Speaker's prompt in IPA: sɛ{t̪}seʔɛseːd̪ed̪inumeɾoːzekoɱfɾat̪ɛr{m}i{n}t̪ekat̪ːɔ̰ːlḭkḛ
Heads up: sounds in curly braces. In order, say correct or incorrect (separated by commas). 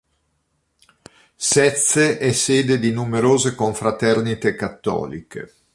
correct, incorrect, incorrect